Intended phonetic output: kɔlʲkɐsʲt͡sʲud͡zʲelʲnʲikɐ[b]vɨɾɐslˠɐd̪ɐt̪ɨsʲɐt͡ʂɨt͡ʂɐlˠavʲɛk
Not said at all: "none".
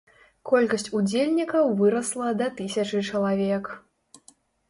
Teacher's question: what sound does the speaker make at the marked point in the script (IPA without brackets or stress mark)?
w